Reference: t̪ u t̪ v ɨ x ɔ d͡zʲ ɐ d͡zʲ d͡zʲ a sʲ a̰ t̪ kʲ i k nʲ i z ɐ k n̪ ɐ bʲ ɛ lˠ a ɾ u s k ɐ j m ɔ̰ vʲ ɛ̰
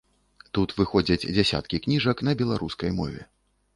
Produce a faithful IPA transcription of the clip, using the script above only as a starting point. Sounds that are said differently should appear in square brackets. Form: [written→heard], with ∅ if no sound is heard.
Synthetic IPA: t̪ u t̪ v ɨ x ɔ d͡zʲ ɐ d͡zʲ d͡zʲ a sʲ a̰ t̪ kʲ i k nʲ i [z→ʐ] ɐ k n̪ ɐ bʲ ɛ lˠ a ɾ u s k ɐ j m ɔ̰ vʲ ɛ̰

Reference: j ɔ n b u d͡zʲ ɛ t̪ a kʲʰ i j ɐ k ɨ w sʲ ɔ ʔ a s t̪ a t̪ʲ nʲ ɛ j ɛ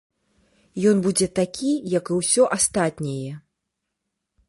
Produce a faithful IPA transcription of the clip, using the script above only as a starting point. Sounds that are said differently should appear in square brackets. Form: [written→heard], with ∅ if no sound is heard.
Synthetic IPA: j ɔ n b u d͡zʲ ɛ t̪ a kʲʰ i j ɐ k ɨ w sʲ ɔ ʔ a s t̪ a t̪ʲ nʲ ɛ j ɛ

